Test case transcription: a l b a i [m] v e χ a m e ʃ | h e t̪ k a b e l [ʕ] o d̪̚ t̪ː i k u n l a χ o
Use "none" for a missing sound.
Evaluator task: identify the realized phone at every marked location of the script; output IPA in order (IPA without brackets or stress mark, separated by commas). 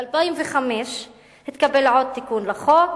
m, ʕ